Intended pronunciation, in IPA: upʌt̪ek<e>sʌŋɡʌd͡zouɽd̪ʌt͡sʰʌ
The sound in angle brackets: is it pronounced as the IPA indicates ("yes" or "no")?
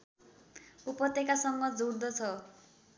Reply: no